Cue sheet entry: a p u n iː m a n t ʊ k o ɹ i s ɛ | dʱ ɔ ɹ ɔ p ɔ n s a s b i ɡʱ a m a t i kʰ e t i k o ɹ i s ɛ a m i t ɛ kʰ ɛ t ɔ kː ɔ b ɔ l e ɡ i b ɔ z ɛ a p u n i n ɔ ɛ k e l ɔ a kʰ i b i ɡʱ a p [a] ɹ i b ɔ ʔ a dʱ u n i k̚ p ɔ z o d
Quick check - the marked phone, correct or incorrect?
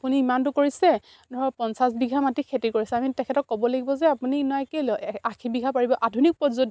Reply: correct